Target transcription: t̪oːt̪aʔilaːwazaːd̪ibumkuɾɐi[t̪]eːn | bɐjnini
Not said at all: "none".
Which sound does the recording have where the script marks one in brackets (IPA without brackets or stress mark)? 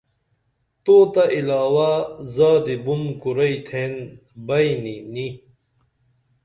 t̪ʰ